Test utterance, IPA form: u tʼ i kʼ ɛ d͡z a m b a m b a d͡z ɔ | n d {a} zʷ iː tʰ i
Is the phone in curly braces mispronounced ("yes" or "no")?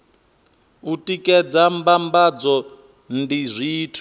yes